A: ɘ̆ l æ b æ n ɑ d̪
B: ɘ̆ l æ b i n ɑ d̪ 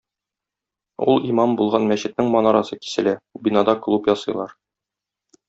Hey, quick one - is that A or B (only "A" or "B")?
B